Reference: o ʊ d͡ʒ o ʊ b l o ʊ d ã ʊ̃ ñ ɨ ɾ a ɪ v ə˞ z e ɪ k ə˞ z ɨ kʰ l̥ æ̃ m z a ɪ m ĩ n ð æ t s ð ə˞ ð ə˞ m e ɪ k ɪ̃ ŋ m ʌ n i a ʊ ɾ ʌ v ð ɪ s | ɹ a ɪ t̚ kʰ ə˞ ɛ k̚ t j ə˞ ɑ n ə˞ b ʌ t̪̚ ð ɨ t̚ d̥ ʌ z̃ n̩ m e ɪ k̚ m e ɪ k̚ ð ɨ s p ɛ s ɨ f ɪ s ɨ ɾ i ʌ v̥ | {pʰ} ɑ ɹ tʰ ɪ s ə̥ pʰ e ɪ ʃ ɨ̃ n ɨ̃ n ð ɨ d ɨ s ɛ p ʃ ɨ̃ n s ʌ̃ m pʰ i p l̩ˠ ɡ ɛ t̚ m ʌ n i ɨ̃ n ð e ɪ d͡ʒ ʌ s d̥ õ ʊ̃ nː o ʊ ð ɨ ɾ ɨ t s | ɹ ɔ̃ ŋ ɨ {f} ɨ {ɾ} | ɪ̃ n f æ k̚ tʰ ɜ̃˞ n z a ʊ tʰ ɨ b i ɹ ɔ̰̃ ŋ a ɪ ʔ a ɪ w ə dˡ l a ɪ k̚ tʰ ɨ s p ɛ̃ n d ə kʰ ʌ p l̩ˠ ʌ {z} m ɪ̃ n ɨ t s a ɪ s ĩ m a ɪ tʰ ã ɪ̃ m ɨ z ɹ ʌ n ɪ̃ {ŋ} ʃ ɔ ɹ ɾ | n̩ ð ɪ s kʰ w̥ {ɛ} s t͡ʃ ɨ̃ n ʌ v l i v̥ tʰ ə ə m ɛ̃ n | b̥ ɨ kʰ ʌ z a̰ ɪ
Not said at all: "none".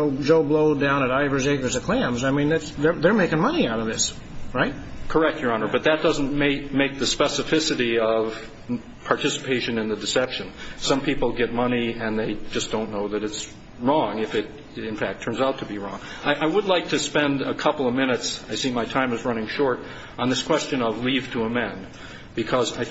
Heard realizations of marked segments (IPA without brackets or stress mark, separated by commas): pʰ, f, ɾ, v, ŋ, ɛ